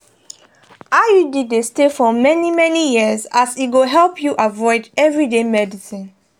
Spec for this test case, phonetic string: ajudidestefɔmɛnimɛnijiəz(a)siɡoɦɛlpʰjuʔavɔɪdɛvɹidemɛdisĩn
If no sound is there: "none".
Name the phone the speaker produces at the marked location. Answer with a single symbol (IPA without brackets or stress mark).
a